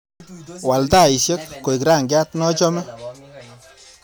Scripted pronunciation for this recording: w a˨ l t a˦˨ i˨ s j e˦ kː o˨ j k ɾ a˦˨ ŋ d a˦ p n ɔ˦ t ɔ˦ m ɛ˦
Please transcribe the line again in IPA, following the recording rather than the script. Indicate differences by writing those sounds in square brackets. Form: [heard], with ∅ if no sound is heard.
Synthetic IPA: w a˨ l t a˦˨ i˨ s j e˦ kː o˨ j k ɾ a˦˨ ŋ [ɡ] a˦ [t] n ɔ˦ [t͡ʃ] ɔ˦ m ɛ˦